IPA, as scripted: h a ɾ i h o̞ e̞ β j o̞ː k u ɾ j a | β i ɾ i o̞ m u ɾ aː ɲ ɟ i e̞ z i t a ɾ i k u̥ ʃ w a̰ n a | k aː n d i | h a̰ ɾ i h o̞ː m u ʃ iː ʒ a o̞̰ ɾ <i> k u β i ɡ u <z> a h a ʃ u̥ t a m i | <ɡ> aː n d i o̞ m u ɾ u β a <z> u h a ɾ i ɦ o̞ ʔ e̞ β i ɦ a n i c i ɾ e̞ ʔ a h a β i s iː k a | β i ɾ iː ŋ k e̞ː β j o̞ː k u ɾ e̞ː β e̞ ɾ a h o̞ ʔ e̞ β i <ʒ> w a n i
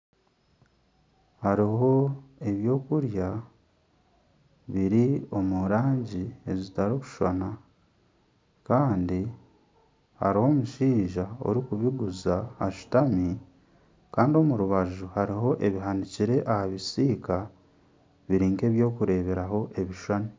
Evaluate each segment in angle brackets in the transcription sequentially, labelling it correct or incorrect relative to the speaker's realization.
correct, correct, incorrect: k, incorrect: ʒ, incorrect: ʃ

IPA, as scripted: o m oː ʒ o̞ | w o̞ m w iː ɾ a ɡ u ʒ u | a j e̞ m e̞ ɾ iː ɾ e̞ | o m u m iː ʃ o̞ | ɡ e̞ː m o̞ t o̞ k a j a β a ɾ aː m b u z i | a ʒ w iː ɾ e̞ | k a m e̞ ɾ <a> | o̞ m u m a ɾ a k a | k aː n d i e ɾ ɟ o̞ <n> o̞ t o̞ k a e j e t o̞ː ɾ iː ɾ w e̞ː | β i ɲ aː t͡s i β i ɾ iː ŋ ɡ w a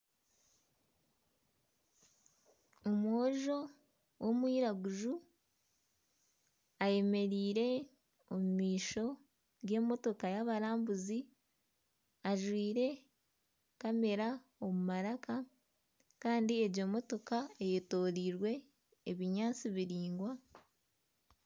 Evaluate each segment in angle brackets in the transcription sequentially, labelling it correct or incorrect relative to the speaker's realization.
correct, incorrect: m

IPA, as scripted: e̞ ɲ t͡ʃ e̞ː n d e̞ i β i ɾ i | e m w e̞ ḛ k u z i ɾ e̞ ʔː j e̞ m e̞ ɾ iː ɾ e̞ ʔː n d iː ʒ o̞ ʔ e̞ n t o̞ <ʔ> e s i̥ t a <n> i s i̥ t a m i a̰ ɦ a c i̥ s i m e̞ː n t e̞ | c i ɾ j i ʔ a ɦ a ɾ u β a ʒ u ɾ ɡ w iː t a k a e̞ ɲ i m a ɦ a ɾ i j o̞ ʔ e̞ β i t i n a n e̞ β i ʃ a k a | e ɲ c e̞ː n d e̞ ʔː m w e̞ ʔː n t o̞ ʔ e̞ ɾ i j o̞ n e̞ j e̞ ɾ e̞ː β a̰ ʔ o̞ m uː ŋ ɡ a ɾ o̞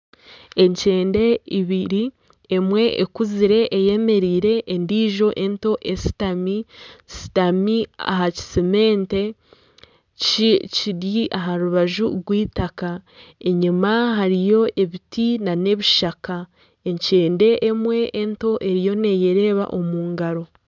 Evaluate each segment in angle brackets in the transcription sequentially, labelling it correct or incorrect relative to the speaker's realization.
correct, incorrect: m

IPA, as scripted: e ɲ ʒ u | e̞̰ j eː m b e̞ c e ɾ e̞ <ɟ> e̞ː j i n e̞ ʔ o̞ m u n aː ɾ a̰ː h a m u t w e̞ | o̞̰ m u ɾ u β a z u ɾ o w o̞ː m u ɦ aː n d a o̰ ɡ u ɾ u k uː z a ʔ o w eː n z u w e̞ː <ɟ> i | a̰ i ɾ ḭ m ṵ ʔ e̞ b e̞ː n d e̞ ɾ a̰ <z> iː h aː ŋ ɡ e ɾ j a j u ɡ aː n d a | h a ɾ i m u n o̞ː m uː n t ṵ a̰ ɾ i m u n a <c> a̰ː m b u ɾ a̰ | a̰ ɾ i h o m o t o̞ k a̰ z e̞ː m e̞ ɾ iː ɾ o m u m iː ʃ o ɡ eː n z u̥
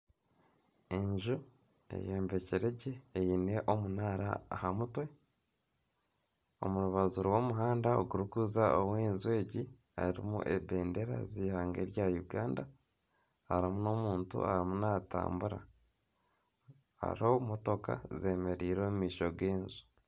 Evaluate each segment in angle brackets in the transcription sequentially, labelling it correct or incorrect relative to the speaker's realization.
correct, correct, correct, incorrect: t

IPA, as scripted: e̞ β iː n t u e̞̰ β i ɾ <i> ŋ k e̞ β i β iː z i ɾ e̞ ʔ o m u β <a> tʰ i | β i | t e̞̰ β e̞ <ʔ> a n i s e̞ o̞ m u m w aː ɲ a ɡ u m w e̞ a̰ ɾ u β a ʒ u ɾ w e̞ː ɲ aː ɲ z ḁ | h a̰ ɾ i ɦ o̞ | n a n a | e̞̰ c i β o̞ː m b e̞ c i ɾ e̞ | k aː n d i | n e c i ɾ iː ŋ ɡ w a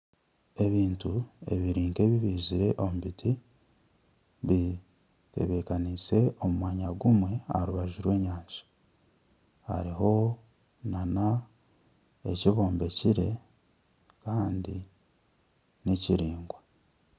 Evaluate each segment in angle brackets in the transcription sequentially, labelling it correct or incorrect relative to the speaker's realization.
incorrect: iː, incorrect: i, incorrect: k

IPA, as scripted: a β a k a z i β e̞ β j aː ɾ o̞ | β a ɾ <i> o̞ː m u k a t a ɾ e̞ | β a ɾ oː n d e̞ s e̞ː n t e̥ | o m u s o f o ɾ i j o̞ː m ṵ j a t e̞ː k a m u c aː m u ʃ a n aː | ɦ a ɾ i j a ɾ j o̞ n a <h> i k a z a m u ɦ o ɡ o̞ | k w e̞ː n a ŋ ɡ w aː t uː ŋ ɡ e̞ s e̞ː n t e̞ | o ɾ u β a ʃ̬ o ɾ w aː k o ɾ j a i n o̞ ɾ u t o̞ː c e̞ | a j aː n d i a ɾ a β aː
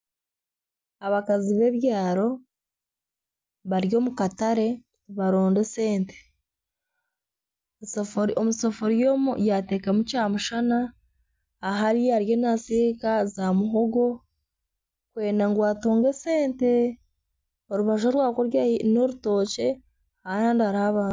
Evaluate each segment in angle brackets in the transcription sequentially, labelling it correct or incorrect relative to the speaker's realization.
incorrect: j, incorrect: s

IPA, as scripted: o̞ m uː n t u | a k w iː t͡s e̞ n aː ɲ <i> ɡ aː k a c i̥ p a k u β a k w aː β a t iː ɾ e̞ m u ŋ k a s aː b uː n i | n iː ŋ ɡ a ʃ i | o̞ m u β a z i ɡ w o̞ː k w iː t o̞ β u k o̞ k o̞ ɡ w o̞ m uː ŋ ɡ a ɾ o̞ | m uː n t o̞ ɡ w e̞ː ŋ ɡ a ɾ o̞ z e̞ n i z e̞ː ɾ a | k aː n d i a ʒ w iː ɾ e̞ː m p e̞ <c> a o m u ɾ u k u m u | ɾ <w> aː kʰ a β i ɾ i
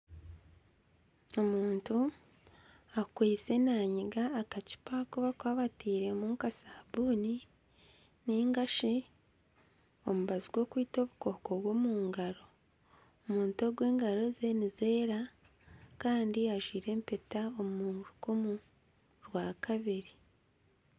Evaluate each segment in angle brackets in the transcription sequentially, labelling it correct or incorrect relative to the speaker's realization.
correct, incorrect: t, correct

